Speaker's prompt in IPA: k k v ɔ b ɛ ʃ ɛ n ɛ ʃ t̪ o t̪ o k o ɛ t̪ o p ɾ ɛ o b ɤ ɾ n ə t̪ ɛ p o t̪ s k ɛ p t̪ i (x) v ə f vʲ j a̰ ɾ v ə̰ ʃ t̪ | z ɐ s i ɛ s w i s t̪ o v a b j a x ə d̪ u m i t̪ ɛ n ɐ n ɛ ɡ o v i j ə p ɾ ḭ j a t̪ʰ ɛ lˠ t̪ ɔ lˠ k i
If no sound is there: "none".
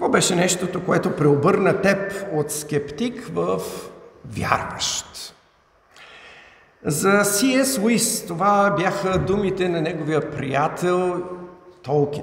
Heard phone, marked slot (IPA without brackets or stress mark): k